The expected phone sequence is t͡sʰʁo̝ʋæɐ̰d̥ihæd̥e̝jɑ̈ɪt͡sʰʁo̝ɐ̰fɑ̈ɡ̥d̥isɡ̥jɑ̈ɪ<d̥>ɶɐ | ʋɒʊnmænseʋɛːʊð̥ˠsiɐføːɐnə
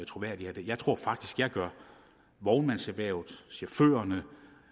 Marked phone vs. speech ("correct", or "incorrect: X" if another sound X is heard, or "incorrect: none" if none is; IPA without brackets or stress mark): incorrect: ɡ̥